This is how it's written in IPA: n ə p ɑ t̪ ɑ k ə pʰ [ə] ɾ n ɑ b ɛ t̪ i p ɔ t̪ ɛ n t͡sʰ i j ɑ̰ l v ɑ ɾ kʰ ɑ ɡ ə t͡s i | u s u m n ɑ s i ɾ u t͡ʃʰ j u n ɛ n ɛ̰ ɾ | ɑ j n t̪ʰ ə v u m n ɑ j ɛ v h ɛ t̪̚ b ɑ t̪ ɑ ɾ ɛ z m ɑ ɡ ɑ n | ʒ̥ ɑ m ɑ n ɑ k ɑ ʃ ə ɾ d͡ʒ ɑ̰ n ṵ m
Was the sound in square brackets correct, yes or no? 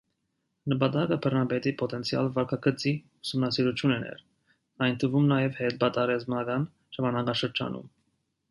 yes